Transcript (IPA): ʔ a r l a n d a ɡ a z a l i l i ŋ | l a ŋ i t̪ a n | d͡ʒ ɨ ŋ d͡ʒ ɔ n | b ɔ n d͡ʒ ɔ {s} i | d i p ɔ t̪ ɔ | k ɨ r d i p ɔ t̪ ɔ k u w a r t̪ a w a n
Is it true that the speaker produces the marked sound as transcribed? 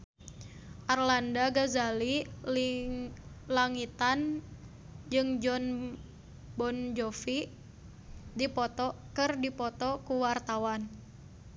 no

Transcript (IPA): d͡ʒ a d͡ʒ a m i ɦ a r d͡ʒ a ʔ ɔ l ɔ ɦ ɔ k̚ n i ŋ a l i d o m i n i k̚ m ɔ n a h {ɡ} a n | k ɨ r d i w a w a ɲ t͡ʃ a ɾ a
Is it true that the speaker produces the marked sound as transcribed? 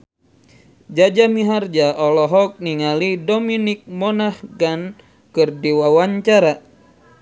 yes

